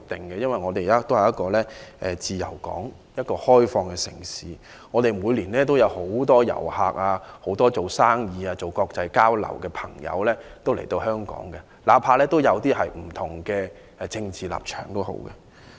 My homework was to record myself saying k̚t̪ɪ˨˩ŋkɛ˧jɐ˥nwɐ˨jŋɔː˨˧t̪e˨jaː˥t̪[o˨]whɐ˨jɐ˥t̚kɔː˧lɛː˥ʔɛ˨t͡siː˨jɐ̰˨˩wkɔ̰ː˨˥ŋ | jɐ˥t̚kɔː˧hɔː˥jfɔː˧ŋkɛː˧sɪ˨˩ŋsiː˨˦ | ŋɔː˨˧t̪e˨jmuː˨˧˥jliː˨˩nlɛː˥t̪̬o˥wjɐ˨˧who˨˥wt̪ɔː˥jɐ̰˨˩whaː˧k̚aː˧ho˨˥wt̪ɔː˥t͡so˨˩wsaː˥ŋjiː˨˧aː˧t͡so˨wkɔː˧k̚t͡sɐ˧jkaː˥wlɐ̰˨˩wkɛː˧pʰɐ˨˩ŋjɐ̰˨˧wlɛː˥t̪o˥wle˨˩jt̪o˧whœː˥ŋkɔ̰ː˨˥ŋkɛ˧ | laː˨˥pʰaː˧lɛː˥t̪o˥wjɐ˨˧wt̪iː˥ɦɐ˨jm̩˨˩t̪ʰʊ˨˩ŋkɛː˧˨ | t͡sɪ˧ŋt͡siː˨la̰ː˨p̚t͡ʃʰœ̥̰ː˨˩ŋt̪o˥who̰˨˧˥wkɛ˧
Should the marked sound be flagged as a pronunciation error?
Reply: yes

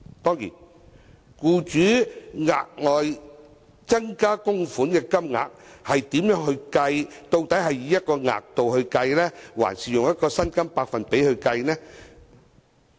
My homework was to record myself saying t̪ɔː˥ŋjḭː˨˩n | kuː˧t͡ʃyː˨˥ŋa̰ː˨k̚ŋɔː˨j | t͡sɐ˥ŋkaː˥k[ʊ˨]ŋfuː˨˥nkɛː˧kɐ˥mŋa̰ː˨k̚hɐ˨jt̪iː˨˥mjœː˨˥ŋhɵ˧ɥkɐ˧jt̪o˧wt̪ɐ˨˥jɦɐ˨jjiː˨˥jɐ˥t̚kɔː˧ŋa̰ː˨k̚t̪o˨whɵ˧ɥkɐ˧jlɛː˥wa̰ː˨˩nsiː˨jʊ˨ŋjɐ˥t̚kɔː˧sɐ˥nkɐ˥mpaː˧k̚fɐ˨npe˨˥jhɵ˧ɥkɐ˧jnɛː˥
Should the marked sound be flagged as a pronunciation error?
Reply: yes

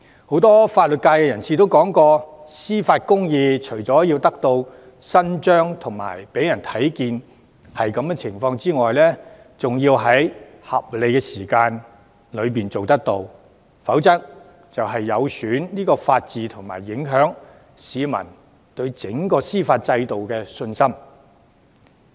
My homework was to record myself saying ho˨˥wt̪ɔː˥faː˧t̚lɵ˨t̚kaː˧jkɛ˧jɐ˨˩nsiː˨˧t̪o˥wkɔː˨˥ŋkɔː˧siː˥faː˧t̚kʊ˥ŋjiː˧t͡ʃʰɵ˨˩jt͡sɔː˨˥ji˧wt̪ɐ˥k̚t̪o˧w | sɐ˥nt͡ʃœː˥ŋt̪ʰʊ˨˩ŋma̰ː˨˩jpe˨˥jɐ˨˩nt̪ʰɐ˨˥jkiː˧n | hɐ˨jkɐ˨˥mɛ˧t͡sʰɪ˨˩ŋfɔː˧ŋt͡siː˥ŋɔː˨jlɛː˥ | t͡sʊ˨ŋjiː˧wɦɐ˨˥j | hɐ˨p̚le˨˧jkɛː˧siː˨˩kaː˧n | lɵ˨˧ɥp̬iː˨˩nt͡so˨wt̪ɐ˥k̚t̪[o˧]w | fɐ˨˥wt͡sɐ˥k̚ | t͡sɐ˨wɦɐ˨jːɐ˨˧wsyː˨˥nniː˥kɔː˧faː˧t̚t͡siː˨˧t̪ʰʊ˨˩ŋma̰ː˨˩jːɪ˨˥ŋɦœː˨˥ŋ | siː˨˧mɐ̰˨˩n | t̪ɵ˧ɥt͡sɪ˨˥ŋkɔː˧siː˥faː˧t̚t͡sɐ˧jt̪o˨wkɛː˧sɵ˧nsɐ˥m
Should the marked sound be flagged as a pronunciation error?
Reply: no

